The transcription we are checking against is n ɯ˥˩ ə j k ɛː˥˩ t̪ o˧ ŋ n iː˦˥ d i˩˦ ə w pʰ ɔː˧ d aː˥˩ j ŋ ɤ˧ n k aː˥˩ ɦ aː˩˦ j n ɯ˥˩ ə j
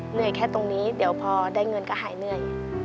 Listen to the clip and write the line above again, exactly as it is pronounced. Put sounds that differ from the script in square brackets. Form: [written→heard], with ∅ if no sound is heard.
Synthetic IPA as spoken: n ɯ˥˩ ə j [k→kʰ] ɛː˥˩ t̪ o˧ ŋ n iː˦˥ d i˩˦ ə w pʰ ɔː˧ d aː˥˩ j ŋ ɤ˧ n k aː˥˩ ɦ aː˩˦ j n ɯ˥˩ ə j